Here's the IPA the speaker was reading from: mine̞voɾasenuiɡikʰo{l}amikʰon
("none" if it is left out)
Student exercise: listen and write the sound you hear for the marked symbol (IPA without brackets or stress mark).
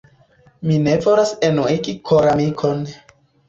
ɾ